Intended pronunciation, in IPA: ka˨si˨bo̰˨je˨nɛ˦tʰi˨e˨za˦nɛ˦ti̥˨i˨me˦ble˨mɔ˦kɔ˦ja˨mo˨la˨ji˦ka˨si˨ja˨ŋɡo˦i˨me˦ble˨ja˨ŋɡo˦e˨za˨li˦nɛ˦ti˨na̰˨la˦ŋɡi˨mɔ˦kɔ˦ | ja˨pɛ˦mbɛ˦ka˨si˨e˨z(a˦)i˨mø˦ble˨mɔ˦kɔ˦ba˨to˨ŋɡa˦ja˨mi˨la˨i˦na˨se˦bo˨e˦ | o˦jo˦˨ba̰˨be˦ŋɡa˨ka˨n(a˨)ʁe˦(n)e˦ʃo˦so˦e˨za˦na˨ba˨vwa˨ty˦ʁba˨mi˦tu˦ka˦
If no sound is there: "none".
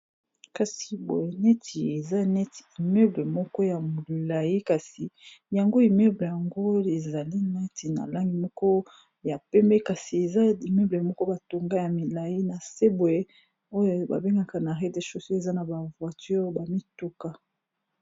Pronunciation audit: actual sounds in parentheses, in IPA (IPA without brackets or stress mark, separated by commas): a˦, a˨, d